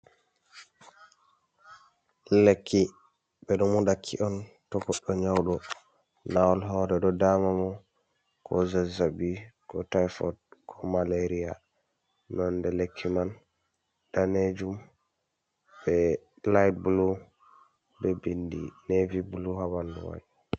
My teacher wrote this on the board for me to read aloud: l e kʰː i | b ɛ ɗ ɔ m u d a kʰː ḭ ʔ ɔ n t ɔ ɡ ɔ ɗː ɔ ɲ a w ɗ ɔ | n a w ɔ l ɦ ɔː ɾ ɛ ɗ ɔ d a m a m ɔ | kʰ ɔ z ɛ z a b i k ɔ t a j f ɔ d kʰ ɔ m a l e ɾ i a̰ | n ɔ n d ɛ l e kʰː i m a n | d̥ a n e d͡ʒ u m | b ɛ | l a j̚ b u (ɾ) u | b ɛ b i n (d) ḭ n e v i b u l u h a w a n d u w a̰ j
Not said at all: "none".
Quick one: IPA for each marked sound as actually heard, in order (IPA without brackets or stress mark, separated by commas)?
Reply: l, d